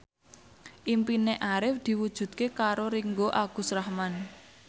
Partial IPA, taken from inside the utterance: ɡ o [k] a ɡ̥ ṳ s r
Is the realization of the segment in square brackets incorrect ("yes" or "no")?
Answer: yes